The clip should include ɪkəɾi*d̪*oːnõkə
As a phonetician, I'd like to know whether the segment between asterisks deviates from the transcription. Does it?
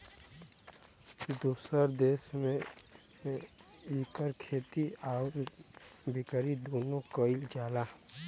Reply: no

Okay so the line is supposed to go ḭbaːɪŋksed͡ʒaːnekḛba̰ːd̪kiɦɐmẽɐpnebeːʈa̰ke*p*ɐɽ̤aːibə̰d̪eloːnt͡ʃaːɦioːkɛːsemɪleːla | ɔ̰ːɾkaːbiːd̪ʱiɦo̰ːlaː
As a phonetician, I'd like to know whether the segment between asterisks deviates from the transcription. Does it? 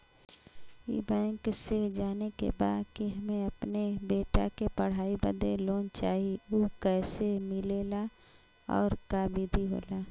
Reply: no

